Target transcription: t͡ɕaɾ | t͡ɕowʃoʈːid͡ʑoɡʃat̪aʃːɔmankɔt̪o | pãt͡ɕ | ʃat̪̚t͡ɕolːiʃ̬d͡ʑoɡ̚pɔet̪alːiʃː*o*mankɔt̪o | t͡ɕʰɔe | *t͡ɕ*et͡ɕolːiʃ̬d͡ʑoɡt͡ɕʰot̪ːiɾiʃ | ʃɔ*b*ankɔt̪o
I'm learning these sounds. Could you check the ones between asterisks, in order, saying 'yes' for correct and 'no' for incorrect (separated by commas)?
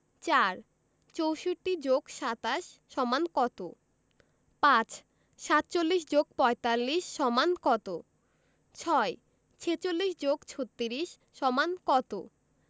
no, no, no